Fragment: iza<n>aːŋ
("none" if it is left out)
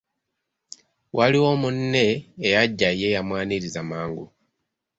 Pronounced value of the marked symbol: m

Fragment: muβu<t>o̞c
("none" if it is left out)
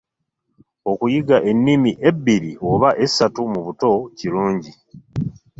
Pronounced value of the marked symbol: t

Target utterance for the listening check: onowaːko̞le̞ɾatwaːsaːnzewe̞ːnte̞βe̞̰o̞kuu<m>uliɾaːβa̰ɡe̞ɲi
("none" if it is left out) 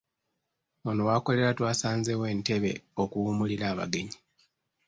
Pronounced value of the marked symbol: m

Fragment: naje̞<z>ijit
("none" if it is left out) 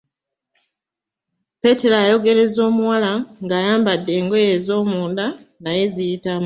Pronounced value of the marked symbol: z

